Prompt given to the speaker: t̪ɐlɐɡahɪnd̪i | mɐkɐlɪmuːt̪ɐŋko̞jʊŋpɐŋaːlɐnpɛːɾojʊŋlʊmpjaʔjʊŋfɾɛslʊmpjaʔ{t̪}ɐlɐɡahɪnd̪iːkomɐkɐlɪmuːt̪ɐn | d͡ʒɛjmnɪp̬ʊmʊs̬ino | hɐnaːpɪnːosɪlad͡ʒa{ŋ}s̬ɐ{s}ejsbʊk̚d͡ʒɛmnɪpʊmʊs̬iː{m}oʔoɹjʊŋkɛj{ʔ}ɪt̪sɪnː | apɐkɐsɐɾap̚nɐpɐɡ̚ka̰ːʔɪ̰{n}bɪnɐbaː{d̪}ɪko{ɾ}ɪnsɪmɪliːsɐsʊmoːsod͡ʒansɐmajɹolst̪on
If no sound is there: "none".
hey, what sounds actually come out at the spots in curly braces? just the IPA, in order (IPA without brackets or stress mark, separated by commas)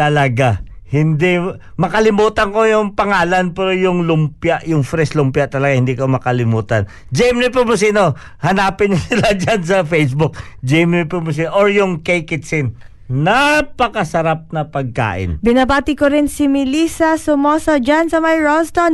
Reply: t̪, n, f, n, k, n, t̪, ɾ